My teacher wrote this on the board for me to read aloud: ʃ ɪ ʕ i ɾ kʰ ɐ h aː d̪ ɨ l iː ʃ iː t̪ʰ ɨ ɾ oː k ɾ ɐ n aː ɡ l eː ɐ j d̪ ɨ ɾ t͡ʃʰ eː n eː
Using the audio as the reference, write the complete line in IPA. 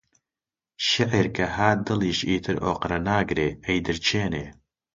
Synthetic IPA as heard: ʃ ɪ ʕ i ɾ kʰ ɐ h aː d̪ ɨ l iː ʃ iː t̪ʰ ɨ ɾ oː q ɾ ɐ n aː ɡ ɾ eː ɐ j d̪ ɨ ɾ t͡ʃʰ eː n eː